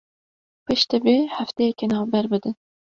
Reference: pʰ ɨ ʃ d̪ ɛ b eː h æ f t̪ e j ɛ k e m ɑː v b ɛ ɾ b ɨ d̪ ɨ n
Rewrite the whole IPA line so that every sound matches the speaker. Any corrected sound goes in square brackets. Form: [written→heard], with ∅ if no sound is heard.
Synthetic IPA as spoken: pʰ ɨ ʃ [d̪→t̪] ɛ b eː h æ f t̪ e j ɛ k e [m→n] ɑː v b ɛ ɾ b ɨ d̪ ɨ n

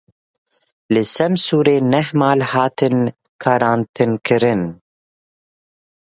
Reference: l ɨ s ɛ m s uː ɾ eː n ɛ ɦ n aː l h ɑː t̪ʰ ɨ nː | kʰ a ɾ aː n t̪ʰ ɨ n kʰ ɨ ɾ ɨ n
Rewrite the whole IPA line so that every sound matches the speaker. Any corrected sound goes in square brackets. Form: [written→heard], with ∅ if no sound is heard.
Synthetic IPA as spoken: l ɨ s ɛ m s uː ɾ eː n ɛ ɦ [n→m] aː l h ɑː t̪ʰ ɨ [nː→n] | kʰ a ɾ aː n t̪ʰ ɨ n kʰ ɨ ɾ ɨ n

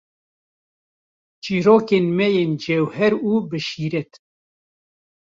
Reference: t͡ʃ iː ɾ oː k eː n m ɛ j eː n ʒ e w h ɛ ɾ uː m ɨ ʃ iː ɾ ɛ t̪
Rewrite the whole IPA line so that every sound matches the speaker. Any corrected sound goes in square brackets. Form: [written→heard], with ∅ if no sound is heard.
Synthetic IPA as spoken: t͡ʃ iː ɾ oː k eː n m ɛ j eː n [ʒ→d͡ʒ] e w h ɛ ɾ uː [m→b] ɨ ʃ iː ɾ ɛ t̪

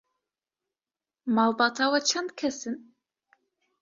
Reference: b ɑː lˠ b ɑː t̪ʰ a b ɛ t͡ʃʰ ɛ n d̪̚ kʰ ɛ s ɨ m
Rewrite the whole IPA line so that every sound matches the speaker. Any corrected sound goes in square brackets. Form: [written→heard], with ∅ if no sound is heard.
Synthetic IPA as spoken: [b→m] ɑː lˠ b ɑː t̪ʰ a [b→w] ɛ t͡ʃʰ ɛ n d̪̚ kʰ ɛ s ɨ [m→n]

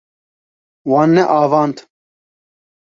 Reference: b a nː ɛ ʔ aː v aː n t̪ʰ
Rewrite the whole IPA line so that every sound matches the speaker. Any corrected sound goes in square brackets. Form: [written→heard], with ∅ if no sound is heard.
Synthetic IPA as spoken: [b→w] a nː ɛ ʔ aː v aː n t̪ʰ

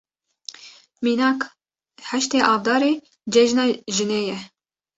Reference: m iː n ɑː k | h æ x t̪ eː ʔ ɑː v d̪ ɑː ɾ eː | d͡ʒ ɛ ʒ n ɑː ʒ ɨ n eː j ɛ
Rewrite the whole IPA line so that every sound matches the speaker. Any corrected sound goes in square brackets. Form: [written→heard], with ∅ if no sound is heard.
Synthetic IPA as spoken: m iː n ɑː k | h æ [x→ʃ] t̪ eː ʔ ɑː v d̪ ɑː ɾ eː | d͡ʒ ɛ ʒ n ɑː ʒ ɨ n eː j ɛ

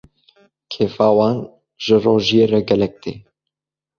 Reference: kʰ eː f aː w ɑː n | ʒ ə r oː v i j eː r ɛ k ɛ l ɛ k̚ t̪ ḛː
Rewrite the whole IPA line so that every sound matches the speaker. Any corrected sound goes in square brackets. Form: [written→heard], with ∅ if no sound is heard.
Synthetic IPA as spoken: kʰ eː f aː w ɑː n | ʒ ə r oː [v→ʒ] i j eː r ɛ [k→ɡ] ɛ l ɛ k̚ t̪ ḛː

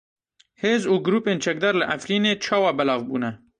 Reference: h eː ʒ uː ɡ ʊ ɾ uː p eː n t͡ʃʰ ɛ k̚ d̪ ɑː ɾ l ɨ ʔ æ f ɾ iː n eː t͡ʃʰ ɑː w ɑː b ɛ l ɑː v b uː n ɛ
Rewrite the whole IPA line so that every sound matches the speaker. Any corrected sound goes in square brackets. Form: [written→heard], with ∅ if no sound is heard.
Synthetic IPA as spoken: h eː [ʒ→z] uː ɡ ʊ ɾ uː p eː n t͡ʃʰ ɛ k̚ d̪ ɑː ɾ l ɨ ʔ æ f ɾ iː n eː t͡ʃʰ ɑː w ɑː b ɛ l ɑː v b uː n ɛ

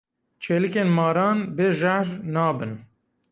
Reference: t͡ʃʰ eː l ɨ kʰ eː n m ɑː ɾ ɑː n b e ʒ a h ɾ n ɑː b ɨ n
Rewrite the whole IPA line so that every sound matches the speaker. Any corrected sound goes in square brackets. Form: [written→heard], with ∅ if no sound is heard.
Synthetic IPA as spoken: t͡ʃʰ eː l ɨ [kʰ→k] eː n m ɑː ɾ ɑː n b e ʒ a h ɾ n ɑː b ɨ n

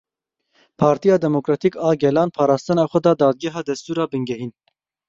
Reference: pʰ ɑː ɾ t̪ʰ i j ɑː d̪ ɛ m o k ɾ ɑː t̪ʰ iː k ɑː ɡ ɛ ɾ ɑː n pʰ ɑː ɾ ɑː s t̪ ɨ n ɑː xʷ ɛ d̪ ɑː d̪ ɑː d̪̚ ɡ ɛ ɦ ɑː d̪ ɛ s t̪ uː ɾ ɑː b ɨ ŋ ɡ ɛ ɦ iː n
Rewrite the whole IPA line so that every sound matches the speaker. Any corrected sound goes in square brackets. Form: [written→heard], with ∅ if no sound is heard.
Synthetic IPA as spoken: pʰ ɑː ɾ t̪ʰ i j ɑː d̪ ɛ m o k ɾ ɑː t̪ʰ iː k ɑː ɡ ɛ [ɾ→l] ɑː n pʰ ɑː ɾ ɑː s t̪ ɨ n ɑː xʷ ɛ d̪ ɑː d̪ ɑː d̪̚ ɡ ɛ ɦ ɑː d̪ ɛ s t̪ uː ɾ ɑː b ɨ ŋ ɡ ɛ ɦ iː n

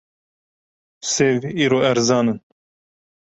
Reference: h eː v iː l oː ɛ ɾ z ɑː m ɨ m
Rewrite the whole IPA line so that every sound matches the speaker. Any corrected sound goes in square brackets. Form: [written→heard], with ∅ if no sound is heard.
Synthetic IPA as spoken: [h→s] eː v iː [l→ɾ] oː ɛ ɾ z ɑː [m→n] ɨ [m→n]

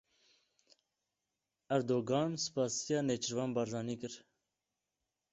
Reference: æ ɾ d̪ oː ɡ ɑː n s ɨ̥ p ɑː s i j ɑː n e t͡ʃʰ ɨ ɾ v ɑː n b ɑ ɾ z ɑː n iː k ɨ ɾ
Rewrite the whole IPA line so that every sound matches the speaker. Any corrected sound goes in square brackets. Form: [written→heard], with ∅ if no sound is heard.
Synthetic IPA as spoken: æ ɾ d̪ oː ɡ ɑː n s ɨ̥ p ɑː s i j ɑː n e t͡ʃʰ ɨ ɾ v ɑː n b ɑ ɾ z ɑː n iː k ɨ ɾ

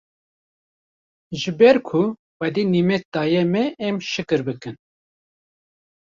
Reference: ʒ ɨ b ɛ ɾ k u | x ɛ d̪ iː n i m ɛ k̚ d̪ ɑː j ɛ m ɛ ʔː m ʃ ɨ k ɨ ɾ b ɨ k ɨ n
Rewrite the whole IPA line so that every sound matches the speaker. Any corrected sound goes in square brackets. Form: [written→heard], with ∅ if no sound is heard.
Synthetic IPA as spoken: ʒ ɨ b ɛ ɾ [k→kʰ] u | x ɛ d̪ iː n i m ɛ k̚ d̪ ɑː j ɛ m ɛ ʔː m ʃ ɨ k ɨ ɾ b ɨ k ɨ n

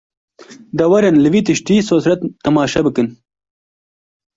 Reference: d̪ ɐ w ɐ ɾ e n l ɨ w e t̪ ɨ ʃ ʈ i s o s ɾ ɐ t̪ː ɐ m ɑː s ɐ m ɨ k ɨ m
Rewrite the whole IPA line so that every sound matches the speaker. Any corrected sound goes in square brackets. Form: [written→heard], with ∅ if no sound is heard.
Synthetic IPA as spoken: d̪ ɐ w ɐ ɾ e n l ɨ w [e→i] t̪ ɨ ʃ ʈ i s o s ɾ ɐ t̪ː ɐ m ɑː [s→ʃ] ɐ [m→b] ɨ k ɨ [m→n]

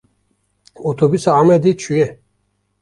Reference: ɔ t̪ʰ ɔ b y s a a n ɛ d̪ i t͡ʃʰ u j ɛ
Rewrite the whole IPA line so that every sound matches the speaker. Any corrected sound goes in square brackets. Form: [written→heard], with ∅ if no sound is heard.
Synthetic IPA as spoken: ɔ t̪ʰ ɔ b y s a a [n→m] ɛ d̪ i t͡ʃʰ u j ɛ

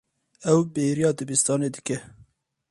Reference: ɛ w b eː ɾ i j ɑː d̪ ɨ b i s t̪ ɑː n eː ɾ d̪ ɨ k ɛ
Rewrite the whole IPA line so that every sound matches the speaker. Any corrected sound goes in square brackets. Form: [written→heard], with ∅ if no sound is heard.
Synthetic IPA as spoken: ɛ w b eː ɾ i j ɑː d̪ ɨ b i s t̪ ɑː n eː [ɾ→∅] d̪ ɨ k ɛ

